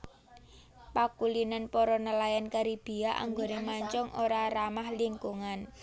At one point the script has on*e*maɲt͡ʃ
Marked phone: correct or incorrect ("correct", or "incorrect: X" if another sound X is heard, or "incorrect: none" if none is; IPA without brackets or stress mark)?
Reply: correct